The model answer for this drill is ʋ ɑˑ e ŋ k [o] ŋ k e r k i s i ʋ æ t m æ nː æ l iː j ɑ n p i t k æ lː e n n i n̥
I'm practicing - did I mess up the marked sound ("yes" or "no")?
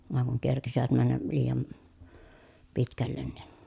yes